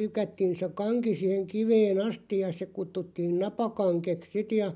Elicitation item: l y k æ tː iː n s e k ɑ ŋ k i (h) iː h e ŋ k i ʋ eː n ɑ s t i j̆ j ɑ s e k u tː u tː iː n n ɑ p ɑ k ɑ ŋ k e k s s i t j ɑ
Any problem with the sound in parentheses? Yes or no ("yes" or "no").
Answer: yes